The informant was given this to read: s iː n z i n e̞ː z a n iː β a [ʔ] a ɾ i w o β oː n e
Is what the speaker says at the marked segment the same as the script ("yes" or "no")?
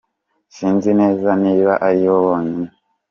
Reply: yes